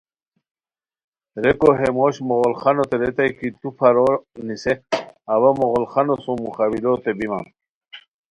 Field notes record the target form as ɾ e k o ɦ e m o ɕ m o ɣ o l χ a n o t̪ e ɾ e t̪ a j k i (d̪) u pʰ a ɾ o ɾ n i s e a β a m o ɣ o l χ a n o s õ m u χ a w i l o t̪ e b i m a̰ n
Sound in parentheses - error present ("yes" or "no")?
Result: yes